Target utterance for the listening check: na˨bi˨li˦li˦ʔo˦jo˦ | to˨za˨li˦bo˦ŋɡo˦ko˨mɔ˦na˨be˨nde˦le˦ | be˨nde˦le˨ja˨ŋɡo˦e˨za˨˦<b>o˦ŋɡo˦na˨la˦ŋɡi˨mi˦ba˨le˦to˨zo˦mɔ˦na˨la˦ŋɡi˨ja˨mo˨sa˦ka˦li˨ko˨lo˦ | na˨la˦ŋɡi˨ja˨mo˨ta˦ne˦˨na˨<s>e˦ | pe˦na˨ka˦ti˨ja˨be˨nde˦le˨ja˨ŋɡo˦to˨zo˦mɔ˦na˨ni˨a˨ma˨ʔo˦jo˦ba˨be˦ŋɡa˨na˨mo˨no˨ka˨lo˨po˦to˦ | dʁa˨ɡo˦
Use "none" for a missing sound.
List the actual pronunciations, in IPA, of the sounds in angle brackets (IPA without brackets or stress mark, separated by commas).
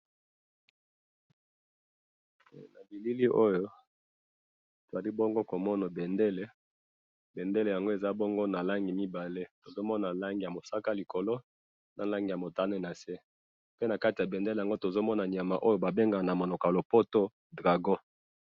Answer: b, s